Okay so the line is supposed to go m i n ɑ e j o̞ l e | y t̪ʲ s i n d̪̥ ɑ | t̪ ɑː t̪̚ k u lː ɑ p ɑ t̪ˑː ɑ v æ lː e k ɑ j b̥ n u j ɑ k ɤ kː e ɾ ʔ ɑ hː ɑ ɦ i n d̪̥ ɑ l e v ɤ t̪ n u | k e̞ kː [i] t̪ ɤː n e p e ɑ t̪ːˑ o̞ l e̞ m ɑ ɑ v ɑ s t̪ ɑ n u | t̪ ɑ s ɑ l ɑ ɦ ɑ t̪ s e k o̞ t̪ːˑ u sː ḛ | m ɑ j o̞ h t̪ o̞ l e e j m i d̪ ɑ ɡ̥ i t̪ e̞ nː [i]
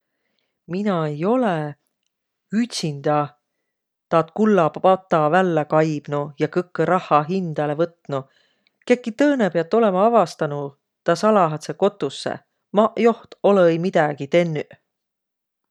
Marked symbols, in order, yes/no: yes, no

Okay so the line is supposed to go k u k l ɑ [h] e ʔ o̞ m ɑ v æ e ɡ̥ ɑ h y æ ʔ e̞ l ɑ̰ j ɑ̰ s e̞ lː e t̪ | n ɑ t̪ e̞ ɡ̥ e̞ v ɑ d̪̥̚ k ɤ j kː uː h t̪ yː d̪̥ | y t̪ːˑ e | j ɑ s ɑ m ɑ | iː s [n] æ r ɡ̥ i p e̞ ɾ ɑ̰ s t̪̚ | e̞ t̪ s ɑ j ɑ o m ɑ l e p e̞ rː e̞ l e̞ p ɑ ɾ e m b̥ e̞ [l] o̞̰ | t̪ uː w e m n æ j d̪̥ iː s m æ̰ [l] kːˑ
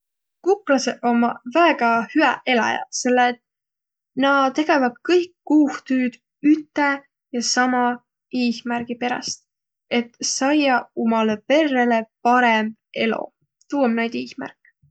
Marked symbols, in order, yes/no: no, no, yes, no

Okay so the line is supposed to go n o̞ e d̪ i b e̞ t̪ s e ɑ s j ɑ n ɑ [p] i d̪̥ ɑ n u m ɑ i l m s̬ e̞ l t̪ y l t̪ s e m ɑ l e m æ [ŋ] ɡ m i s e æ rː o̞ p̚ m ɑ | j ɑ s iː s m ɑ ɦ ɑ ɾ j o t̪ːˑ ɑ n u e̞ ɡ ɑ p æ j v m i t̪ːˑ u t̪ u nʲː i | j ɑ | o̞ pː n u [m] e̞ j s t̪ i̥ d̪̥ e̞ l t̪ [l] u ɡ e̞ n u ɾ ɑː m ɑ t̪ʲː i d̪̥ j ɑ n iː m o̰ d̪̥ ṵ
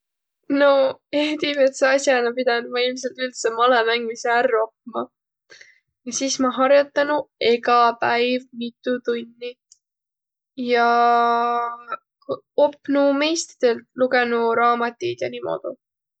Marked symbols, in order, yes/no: yes, yes, yes, yes

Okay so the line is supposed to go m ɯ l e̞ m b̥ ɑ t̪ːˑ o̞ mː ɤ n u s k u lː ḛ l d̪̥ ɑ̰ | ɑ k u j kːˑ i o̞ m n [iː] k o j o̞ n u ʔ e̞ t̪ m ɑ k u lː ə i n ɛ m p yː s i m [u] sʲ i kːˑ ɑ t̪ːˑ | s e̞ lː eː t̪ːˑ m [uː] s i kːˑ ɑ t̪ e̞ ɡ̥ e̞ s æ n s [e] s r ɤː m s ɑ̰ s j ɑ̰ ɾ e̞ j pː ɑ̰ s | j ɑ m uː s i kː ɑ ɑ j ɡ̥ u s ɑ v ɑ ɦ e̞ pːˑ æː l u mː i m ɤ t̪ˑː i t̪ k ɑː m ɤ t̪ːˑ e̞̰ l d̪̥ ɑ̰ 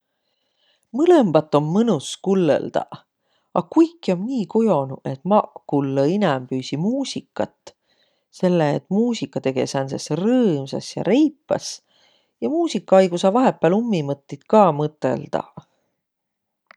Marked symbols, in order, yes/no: yes, no, yes, yes

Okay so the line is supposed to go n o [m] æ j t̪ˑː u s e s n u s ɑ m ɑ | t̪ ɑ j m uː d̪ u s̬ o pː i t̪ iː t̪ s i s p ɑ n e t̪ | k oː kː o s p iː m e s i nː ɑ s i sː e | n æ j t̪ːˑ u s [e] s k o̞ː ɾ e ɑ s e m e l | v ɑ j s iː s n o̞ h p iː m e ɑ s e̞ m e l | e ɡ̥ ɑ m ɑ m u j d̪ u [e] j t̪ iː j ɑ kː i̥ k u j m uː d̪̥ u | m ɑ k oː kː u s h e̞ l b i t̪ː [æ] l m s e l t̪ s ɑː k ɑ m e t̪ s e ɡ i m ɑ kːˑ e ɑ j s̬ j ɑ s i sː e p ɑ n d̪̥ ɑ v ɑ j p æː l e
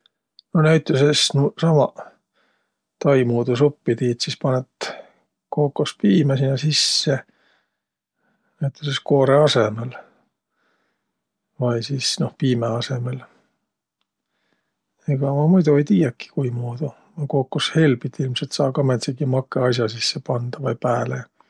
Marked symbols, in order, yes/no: no, yes, yes, no

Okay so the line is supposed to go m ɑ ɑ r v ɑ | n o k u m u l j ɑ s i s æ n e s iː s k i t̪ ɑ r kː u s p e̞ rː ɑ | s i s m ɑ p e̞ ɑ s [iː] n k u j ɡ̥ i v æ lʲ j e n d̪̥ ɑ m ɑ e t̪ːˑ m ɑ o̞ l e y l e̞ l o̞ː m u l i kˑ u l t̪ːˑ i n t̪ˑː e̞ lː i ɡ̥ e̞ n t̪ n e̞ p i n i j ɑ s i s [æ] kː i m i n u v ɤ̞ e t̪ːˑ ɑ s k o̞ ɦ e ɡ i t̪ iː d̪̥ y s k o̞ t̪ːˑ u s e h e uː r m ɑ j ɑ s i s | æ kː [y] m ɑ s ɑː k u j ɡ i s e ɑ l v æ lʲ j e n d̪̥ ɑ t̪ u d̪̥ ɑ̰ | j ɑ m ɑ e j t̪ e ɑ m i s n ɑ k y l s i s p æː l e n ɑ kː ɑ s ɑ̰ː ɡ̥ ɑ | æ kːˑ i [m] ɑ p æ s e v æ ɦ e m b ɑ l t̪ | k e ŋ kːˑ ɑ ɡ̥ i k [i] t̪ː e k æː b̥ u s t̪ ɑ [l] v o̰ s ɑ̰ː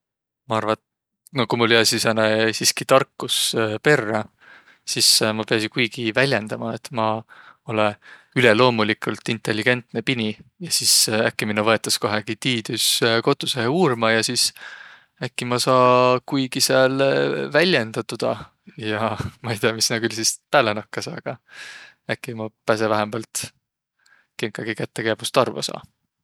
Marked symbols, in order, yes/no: no, yes, no, yes, no, no

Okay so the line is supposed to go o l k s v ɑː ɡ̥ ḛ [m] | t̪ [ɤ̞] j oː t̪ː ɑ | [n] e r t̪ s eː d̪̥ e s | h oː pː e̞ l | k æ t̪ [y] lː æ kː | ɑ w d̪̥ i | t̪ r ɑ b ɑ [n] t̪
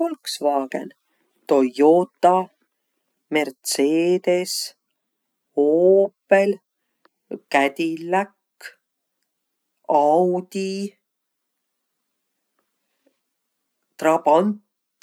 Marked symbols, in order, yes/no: no, no, no, no, yes

